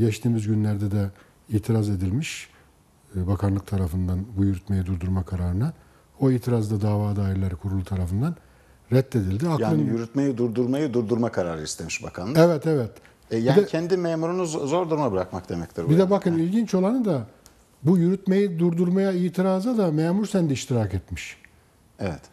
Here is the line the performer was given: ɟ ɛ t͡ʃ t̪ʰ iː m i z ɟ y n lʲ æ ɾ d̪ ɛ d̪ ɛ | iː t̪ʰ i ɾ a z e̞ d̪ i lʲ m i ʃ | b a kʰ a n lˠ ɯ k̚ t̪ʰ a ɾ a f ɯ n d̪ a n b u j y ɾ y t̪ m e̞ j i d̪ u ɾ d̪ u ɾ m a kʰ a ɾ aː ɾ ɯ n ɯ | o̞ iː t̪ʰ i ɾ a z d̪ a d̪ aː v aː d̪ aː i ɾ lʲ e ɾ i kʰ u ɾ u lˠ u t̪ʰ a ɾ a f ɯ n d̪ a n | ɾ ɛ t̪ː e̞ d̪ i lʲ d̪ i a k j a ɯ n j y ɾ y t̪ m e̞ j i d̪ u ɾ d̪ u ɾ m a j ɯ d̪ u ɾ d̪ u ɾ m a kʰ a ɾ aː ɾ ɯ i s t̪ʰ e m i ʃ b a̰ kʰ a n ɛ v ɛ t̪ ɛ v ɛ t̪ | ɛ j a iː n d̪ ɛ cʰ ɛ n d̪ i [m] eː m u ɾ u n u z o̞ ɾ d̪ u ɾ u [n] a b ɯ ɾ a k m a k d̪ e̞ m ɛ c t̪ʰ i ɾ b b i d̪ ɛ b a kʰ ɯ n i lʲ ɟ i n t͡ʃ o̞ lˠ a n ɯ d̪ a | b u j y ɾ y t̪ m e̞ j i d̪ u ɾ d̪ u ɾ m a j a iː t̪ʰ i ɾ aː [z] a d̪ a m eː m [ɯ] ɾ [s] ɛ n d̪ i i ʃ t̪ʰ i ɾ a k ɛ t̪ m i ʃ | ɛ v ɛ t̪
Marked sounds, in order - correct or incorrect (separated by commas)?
correct, incorrect, correct, incorrect, correct